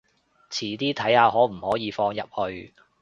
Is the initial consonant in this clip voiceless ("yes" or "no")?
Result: yes